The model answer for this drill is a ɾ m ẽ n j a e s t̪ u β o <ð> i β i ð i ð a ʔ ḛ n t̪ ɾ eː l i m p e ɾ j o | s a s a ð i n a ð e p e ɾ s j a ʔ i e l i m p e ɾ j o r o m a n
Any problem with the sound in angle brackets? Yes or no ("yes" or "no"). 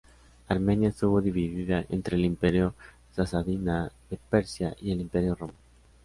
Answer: no